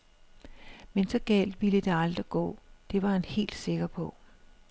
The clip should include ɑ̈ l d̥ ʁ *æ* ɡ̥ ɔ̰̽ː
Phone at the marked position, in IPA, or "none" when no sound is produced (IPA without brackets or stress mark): i